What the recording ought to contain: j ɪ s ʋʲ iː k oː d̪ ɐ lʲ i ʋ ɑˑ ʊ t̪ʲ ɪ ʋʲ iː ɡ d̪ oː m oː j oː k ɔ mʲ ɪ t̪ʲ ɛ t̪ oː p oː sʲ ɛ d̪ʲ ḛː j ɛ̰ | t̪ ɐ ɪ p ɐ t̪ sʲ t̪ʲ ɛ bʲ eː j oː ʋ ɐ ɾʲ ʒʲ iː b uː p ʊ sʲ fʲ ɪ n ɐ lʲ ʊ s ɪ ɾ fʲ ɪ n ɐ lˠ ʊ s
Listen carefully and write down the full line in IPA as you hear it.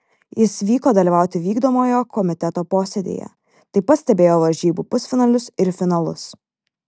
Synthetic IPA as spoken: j ɪ s ʋʲ iː k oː d̪ ɐ lʲ i ʋ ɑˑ ʊ t̪ʲ ɪ ʋʲ iː ɡ d̪ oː m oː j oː k ɔ mʲ ɪ t̪ʲ ɛ t̪ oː p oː sʲ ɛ d̪ʲ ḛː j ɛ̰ | t̪ ɐ ɪ p ɐ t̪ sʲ t̪ʲ ɛ bʲ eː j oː ʋ ɐ ɾʲ ʒʲ iː b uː p ʊ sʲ fʲ ɪ n ɐ lʲ ʊ s ɪ ɾ fʲ ɪ n ɐ lˠ ʊ s

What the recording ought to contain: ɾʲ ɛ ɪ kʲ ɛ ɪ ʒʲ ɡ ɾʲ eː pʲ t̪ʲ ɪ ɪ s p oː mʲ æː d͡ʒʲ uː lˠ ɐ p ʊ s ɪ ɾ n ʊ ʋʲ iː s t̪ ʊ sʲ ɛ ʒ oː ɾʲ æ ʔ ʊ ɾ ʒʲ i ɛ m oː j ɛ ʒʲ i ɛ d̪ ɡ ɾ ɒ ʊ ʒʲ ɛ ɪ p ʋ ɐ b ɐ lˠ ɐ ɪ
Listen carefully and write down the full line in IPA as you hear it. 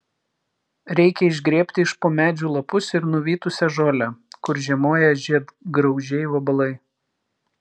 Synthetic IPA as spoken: ɾʲ ɛ ɪ kʲ ɛ ɪ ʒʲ ɡ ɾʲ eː pʲ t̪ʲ ɪ ɪ ʃ p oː mʲ æː d͡ʒʲ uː lˠ ɐ p ʊ s ɪ ɾ n ʊ ʋʲ iː t̪ ʊ sʲ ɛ ʒ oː lʲ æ k ʊ ɾ ʒʲ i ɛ m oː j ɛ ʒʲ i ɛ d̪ ɡ ɾ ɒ ʊ ʒʲ ɛ ɪ ʋ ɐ b ɐ lˠ ɐ ɪ

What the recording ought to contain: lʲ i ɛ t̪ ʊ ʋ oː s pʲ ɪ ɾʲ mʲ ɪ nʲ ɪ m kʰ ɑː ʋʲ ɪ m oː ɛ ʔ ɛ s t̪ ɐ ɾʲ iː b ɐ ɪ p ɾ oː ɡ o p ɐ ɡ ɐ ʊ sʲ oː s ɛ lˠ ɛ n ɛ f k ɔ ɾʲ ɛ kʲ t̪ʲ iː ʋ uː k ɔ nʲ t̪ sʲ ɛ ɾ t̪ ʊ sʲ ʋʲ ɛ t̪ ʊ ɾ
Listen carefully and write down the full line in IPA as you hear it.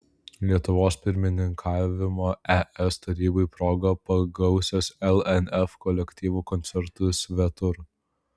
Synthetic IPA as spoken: lʲ i ɛ t̪ ʊ ʋ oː s pʲ ɪ ɾʲ mʲ ɪ nʲ ɪ ŋ kʰ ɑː ʋʲ ɪ m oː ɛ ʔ ɛ s t̪ ɐ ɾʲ iː b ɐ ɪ p ɾ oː ɡ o p ɐ ɡ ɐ ʊ sʲ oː s ɛ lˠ ɛ n ɛ f k ɔ lʲ ɛ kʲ t̪ʲ iː ʋ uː k ɔ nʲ t̪ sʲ ɛ ɾ t̪ ʊ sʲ ʋʲ ɛ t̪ ʊ ɾ

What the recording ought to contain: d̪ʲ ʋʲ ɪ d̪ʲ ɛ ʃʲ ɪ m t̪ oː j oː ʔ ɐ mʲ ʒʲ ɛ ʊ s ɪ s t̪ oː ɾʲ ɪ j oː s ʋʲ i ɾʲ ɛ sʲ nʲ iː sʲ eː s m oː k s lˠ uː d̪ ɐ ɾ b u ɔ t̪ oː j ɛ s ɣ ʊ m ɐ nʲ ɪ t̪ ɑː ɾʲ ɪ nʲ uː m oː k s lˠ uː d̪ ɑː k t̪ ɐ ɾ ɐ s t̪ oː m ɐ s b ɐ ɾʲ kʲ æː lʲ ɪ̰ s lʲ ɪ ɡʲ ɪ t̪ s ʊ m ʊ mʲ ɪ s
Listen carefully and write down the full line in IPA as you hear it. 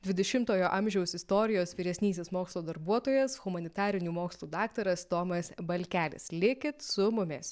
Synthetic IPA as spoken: d̪ʲ ʋʲ ɪ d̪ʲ ɛ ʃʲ ɪ m t̪ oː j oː ʔ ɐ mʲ ʒʲ ɛ ʊ s ɪ s t̪ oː ɾʲ ɪ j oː s ʋʲ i ɾʲ ɛ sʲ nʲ iː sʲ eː s m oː k s lˠ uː d̪ ɐ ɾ b u ɔ t̪ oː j ɛ s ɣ ʊ m ɐ nʲ ɪ t̪ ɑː ɾʲ ɪ nʲ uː m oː k s lˠ uː d̪ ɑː k t̪ ɐ ɾ ɐ s t̪ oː m ɐ s b ɐ lʲ kʲ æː lʲ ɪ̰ s lʲ ɪ kʲ ɪ t̪ s ʊ m ʊ mʲ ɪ s

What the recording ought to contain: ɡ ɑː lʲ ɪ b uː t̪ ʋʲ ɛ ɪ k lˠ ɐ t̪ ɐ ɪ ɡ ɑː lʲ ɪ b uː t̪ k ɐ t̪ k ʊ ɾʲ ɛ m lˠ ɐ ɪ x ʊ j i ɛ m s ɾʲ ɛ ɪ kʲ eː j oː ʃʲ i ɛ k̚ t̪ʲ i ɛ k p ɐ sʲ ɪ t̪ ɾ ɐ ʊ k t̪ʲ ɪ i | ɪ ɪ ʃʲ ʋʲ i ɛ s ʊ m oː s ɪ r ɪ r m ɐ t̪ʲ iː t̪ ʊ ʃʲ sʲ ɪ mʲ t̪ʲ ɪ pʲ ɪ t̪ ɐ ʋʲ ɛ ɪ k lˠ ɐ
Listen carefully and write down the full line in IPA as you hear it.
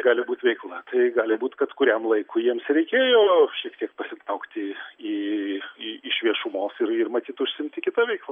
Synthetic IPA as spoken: ɡ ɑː lʲ ɪ b uː t̪ ʋʲ ɛ ɪ k lˠ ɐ t̪ ɐ ɪ ɡ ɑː lʲ ɪ b uː t̪ k ɐ t̪ k ʊ ɾʲ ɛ m lˠ ɐ ɪ k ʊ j i ɛ m s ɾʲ ɛ ɪ kʲ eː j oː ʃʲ i ɛ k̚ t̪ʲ i ɛ k p ɐ sʲ ɪ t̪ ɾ ɐ ʊ k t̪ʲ ɪ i | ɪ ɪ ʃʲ ʋʲ i ɛ ʃ ʊ m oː s ɪ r ɪ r m ɐ t̪ʲ iː t̪ ʊ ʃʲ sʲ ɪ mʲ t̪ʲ ɪ kʲ ɪ t̪ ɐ ʋʲ ɛ ɪ k lˠ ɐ

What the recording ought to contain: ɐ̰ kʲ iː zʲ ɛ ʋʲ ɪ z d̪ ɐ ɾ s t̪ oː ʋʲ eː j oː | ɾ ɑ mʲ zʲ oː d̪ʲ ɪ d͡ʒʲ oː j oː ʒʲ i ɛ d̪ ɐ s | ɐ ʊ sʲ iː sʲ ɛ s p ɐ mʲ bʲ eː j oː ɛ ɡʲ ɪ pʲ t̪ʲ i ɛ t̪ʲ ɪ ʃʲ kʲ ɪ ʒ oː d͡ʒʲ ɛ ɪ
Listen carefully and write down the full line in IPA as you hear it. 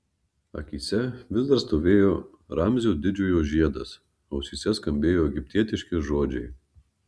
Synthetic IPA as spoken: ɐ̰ kʲ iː sʲ ɛ ʋʲ ɪ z d̪ ɐ ɾ s t̪ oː ʋʲ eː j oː | ɾ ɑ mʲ zʲ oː d̪ʲ ɪ d͡ʒʲ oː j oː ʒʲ i ɛ d̪ ɐ s | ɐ ʊ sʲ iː sʲ ɛ s k ɐ mʲ bʲ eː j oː ɛ ɡʲ ɪ pʲ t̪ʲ i ɛ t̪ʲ ɪ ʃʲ kʲ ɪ ʒ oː d͡ʒʲ ɛ ɪ

